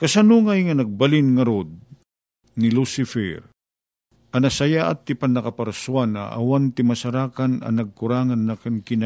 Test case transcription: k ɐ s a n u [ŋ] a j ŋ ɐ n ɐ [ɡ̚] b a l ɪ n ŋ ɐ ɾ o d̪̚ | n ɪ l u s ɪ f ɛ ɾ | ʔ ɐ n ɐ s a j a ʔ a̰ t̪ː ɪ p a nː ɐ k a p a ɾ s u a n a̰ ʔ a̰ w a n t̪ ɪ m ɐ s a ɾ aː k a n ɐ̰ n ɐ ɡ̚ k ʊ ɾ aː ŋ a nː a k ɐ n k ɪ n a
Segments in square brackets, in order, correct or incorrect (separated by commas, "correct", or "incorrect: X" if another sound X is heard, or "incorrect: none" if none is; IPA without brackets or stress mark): correct, correct